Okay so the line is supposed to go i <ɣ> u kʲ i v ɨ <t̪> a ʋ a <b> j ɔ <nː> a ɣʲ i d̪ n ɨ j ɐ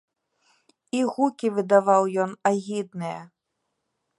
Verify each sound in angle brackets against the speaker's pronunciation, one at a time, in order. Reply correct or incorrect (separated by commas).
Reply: correct, incorrect, incorrect, incorrect